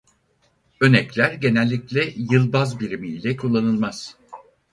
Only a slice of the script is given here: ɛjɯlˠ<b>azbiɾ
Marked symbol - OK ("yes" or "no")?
yes